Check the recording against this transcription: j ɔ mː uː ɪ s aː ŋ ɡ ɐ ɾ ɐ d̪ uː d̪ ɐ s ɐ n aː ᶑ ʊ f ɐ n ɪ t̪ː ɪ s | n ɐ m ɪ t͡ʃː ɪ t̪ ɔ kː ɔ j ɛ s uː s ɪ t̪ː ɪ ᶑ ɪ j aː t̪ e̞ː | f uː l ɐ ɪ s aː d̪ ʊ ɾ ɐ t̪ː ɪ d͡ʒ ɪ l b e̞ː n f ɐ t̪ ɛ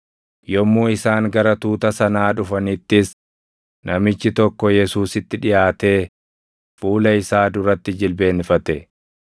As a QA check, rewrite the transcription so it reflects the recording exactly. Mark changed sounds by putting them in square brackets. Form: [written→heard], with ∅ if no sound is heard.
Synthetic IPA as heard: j ɔ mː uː ɪ s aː ŋ ɡ ɐ ɾ ɐ [d̪→t̪] uː [d̪→t̪] ɐ s ɐ n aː ᶑ ʊ f ɐ n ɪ t̪ː ɪ s | n ɐ m ɪ t͡ʃː ɪ t̪ ɔ kː ɔ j ɛ s uː s ɪ t̪ː ɪ ᶑ ɪ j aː t̪ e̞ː | f uː l ɐ ɪ s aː d̪ ʊ ɾ ɐ t̪ː ɪ d͡ʒ ɪ l b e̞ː n f ɐ t̪ ɛ